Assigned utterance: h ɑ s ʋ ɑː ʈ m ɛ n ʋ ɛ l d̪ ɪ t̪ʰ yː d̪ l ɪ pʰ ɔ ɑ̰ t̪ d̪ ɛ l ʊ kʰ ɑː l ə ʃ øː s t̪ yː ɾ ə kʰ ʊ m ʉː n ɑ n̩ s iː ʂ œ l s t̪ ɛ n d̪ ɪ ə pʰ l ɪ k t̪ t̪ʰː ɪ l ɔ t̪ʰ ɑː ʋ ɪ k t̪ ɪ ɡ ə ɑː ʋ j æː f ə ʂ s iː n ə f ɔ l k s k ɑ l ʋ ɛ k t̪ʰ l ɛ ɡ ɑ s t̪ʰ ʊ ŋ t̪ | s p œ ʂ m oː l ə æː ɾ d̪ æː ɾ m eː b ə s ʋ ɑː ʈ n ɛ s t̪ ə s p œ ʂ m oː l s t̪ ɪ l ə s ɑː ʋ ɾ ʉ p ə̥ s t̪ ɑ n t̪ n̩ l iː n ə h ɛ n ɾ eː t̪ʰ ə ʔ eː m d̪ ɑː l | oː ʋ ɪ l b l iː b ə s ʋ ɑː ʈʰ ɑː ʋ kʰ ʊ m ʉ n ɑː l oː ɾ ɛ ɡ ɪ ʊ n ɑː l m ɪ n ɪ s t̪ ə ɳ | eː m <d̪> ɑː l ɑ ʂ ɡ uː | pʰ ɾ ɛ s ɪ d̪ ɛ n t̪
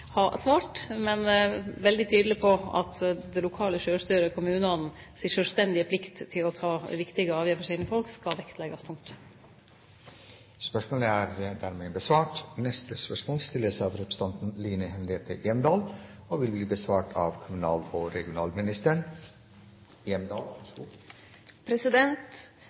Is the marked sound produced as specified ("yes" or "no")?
yes